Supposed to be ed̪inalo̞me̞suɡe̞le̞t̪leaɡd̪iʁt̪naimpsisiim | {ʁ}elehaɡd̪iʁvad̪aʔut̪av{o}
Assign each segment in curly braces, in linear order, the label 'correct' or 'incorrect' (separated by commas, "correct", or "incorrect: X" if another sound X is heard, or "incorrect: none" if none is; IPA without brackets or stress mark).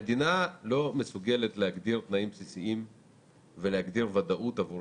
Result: incorrect: v, incorrect: u